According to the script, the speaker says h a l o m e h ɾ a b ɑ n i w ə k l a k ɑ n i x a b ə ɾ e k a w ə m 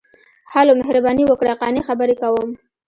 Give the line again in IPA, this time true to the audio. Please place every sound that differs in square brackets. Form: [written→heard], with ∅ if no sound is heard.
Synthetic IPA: h a l o m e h ɾ a b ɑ n i w ə k [l→ɽ] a [k→q] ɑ n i x a b ə ɾ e k a w ə m